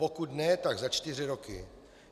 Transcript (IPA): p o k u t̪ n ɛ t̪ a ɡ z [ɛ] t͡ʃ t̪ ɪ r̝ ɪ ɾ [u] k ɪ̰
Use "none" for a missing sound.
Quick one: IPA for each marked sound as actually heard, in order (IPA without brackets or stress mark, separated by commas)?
a, o